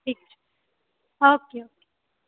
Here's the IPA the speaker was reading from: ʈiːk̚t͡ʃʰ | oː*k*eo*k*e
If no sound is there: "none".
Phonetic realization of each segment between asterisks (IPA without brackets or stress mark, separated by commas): k, k